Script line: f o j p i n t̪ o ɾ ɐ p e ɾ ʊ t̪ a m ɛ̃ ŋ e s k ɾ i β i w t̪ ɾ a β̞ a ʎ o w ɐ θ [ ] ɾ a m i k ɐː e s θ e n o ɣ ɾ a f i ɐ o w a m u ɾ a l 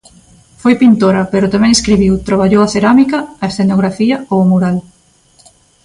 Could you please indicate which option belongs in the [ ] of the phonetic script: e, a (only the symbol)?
e